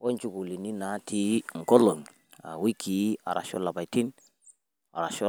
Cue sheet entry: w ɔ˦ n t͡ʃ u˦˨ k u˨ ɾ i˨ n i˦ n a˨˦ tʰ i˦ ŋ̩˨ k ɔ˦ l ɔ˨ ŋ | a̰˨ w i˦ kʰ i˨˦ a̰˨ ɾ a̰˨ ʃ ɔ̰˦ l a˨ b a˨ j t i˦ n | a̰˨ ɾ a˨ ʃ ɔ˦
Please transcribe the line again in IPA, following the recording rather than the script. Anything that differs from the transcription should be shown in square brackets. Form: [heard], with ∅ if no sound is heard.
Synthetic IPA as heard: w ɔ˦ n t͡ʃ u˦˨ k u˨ [l] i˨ n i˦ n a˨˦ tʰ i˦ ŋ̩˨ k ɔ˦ l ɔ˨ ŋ | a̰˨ w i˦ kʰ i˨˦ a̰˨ ɾ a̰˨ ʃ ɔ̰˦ l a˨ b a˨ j t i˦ n | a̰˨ ɾ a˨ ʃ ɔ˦